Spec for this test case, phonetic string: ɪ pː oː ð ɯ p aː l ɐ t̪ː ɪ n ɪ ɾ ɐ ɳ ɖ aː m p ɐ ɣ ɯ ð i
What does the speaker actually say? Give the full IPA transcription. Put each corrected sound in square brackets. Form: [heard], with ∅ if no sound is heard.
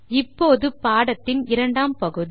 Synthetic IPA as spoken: ɪ pː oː ð ɯ p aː [ɽ] ɐ t̪ː ɪ n ɪ ɾ ɐ ɳ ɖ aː m p ɐ ɣ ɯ ð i